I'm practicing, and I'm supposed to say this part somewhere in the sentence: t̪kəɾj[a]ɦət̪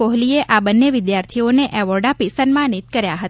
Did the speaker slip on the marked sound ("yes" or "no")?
no